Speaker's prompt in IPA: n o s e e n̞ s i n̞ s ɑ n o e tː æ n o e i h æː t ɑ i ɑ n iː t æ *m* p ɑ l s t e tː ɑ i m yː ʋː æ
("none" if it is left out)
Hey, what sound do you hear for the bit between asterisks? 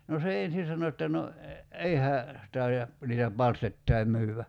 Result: none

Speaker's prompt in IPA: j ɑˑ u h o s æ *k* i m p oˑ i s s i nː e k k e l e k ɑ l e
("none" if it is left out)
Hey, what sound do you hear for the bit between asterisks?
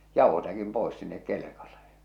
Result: k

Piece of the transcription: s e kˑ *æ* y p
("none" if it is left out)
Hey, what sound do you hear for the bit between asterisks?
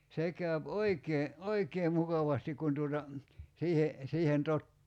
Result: æ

